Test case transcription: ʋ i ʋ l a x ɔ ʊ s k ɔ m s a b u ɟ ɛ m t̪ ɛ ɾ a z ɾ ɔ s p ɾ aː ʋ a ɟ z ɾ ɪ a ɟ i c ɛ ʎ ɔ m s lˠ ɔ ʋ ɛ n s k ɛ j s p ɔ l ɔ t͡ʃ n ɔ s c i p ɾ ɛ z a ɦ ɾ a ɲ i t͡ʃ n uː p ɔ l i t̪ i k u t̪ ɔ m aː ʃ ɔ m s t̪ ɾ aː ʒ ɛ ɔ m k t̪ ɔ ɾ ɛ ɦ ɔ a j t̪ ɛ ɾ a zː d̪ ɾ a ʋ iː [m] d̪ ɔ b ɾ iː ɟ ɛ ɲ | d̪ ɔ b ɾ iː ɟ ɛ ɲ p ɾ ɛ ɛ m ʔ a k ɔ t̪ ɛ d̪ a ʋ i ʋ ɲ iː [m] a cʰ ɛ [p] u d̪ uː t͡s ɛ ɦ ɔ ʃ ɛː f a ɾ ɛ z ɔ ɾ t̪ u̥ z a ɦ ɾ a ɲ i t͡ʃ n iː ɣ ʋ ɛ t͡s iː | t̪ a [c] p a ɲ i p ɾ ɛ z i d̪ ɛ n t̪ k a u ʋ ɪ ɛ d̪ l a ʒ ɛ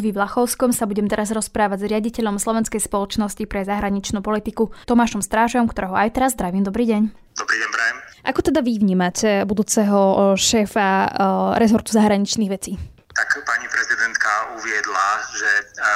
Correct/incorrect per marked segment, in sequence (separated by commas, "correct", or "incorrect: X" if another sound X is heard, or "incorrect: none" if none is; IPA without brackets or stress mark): correct, correct, incorrect: b, incorrect: k